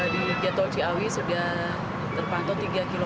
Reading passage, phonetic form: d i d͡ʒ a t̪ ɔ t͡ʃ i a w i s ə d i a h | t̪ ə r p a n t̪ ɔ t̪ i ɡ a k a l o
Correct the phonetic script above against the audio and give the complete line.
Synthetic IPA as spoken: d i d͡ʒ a t̪ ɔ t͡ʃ i a w i s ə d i a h | t̪ ə r p a n t̪ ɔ t̪ i ɡ a k i l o